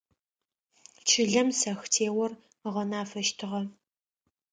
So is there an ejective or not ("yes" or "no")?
no